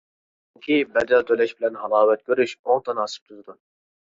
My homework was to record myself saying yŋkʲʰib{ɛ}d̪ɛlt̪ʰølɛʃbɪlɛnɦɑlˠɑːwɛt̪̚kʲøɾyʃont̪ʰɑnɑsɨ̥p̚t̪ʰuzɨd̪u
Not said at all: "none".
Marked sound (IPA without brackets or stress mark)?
ɛ